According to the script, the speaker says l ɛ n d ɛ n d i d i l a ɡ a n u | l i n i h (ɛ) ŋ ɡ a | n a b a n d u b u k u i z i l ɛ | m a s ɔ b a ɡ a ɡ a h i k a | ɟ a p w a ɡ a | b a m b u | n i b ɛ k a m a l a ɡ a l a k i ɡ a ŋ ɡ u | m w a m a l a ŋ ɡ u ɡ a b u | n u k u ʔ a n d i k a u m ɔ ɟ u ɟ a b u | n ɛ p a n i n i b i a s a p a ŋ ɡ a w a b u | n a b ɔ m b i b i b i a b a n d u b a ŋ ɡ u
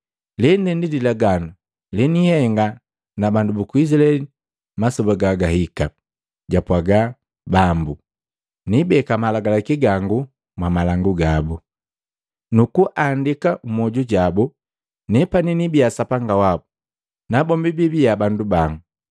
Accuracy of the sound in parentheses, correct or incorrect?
correct